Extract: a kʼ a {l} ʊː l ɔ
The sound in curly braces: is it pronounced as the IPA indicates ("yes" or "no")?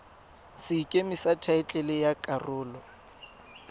no